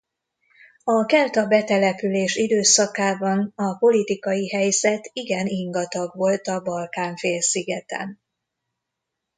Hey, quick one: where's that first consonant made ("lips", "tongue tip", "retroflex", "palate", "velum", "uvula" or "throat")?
velum